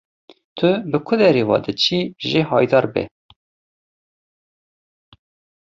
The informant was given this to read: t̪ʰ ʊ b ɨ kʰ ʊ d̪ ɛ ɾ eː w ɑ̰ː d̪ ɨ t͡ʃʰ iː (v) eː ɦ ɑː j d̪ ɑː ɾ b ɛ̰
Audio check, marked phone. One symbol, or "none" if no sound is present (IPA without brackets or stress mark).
ʒ